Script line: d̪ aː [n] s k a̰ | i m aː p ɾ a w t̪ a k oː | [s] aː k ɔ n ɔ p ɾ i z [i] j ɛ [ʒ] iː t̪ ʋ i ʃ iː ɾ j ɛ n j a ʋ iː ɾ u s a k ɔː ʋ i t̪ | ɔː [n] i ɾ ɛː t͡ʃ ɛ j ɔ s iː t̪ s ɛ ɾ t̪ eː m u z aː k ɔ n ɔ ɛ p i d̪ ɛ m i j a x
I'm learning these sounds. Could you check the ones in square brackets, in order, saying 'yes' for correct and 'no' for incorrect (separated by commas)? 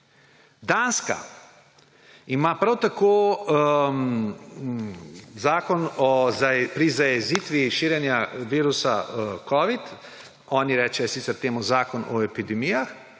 yes, no, no, no, yes